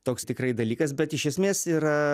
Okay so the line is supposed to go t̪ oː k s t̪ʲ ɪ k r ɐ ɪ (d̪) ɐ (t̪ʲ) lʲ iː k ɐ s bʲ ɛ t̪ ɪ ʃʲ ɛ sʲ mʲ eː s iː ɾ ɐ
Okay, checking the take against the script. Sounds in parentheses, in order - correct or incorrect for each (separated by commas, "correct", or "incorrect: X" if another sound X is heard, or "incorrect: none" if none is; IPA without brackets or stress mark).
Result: correct, incorrect: none